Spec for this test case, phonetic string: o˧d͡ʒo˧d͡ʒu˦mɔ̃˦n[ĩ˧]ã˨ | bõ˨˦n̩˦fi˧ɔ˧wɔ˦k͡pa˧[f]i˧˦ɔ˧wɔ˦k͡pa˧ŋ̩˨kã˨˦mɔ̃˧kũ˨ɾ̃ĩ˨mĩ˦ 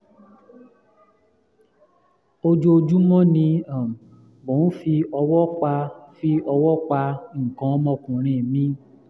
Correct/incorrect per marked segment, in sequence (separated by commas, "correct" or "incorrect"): correct, correct